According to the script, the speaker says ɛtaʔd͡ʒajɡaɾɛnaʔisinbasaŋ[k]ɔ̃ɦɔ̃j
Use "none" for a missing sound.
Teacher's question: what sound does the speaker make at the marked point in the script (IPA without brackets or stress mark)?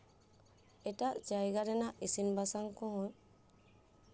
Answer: k